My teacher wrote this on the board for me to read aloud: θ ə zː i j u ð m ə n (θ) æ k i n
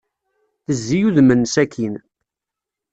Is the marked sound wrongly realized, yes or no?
yes